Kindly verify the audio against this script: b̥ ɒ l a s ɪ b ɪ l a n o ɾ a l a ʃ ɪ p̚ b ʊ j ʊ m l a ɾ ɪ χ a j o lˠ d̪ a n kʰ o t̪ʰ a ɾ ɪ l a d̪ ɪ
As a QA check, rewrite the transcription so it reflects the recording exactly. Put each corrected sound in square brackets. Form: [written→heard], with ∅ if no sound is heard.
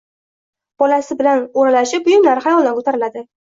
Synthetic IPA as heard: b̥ ɒ l a s ɪ b ɪ l a n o ɾ a l a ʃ ɪ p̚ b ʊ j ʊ m l a ɾ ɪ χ a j [o→ɒ] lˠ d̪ a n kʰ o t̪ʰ a ɾ ɪ l a d̪ ɪ